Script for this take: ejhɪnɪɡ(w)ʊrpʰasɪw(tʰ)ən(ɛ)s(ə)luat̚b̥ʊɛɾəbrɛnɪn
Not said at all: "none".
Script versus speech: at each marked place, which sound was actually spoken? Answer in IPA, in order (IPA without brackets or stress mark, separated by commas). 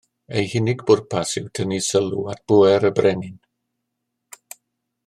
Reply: b, tʰ, i, ə